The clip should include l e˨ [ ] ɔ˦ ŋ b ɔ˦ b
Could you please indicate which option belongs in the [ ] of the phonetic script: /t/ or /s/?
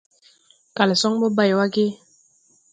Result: s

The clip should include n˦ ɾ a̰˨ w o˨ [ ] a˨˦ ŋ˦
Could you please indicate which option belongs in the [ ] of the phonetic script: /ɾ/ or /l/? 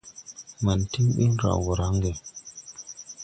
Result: ɾ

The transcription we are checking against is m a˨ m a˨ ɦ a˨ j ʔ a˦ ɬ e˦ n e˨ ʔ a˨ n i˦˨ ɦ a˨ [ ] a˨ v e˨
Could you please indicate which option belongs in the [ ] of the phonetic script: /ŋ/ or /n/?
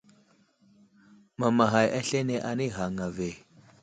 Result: ŋ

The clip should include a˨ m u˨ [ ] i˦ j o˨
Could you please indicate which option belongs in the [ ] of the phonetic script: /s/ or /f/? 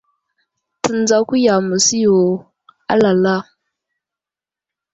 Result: s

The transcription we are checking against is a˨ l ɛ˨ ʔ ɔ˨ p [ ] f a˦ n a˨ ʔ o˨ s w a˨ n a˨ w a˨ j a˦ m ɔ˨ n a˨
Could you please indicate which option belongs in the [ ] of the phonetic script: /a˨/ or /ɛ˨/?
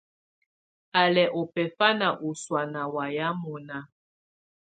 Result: ɛ˨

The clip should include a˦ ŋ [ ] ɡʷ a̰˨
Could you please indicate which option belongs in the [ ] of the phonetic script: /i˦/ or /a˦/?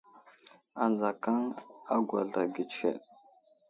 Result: a˦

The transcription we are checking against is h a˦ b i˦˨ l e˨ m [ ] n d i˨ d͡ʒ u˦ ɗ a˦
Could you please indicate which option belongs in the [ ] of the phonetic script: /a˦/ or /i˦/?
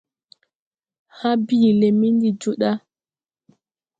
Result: i˦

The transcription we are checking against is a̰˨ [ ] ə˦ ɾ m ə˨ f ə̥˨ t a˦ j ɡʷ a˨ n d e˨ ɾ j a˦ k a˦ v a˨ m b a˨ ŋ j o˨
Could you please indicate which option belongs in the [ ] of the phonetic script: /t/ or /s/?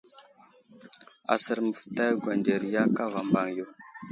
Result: s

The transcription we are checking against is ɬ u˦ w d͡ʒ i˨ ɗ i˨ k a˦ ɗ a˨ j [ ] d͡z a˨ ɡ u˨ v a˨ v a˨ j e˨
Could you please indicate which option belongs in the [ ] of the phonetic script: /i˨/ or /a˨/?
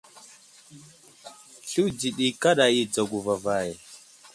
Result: i˨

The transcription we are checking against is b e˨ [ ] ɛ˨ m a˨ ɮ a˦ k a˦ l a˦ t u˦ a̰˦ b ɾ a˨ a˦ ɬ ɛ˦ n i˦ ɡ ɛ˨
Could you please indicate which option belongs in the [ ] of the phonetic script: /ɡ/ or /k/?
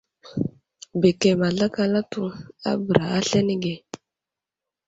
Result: k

